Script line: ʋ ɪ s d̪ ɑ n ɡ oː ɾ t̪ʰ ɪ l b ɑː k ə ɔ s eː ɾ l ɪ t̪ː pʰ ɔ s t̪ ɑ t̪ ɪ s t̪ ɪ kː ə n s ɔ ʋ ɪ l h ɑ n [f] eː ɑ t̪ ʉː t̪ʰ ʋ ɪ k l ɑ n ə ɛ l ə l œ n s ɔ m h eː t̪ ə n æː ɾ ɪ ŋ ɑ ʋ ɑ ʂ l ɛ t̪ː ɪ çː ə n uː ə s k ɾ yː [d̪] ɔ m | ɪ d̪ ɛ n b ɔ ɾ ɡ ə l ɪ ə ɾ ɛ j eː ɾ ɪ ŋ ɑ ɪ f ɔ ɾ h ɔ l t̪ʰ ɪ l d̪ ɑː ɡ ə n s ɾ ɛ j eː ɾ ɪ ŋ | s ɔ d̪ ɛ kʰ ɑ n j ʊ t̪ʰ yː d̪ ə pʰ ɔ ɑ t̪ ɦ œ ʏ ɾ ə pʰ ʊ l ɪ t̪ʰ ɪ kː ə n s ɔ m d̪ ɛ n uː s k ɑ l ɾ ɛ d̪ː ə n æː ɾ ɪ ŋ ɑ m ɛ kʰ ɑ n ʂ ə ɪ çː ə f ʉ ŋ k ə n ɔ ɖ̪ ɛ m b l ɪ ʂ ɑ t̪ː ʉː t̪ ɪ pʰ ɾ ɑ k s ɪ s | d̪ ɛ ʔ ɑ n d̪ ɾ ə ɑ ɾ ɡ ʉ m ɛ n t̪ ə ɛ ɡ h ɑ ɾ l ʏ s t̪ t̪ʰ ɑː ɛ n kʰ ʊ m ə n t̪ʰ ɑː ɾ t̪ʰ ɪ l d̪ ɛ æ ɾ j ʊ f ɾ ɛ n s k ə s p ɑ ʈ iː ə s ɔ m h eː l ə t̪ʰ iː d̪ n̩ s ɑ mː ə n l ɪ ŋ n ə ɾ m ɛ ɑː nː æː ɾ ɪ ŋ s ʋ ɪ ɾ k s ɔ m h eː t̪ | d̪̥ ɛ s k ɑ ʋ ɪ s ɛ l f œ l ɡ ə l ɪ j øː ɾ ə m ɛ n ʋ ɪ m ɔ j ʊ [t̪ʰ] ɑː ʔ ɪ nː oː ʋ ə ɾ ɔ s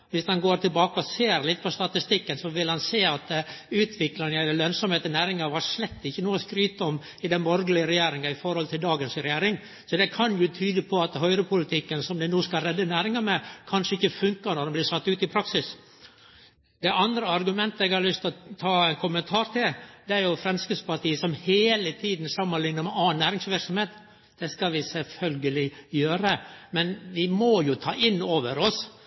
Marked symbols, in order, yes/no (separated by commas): no, no, yes